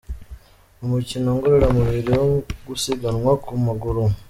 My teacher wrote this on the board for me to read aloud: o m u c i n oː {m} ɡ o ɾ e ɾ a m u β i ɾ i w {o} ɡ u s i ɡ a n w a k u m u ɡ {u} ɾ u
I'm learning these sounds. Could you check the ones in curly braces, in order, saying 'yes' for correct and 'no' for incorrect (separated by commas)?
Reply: no, yes, yes